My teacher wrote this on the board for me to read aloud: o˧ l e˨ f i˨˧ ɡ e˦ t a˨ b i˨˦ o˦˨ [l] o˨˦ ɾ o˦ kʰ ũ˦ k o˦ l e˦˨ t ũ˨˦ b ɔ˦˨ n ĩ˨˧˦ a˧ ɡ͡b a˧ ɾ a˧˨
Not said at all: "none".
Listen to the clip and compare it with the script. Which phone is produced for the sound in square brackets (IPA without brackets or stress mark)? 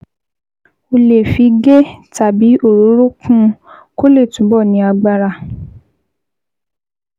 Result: ɾ